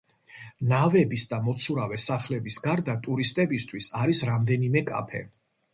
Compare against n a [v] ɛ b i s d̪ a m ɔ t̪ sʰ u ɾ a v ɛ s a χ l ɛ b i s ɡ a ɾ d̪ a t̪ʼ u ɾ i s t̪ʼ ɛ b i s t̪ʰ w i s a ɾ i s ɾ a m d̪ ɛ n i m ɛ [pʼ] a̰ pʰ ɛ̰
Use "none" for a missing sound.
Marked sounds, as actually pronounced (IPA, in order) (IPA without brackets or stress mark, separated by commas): v, kʼ